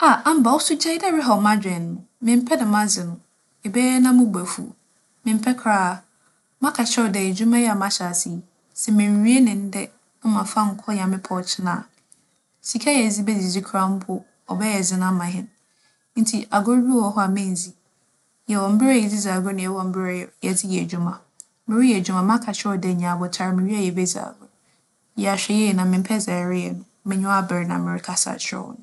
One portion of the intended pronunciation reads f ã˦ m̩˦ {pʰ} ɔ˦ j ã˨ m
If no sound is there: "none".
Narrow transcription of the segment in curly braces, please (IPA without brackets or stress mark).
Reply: kʰ